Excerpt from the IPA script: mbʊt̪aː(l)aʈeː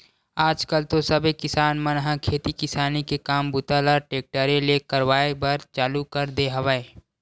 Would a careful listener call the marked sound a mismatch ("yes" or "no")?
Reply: no